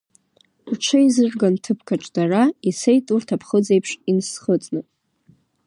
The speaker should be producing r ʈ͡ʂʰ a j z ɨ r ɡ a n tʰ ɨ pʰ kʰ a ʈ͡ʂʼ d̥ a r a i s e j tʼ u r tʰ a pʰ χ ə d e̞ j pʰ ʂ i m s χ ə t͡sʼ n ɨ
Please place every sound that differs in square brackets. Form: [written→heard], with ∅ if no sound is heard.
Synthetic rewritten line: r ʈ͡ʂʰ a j z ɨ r ɡ a n tʰ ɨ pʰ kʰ a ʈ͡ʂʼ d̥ a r a i s e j tʼ u r tʰ a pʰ χ ə [d→d͡z] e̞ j pʰ ʂ i [m→n] s χ ə t͡sʼ n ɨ